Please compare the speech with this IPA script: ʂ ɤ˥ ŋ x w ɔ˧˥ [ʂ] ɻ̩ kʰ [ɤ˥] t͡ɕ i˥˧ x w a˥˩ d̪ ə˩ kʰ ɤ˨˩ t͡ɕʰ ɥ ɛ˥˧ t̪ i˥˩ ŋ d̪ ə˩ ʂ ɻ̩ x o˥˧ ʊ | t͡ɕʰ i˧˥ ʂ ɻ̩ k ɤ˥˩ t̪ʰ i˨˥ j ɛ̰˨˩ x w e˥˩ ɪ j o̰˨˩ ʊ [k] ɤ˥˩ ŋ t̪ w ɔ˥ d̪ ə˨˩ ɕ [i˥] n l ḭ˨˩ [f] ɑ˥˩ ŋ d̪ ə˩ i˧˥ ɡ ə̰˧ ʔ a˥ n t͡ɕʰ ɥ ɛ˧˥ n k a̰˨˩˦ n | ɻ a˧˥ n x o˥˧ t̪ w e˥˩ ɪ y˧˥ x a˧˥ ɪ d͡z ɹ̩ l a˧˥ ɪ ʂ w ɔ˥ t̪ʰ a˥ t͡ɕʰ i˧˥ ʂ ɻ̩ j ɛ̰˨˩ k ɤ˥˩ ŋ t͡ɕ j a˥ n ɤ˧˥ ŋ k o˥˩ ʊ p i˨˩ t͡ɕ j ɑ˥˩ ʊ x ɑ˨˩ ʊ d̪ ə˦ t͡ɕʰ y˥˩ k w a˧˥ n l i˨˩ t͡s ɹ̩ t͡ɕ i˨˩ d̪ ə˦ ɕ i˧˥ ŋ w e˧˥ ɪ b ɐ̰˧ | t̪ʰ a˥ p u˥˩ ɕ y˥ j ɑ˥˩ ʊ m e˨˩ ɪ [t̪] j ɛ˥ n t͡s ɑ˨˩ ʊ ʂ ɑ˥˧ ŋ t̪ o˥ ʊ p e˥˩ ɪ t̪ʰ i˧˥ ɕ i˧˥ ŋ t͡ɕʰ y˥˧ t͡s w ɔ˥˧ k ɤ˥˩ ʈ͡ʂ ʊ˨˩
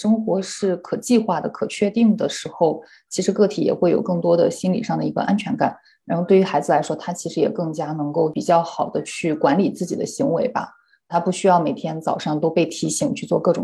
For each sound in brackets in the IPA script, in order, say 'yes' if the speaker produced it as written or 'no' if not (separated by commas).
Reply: yes, no, yes, yes, no, no